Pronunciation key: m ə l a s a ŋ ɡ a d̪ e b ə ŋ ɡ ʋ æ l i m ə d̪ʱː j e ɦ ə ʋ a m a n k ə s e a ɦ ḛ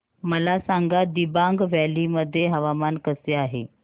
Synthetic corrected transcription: m ə l a s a ŋ ɡ a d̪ i b a ŋ ɡ ʋ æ l i m ə d̪ʱː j e ɦ ə ʋ a m a n k ə s e a ɦ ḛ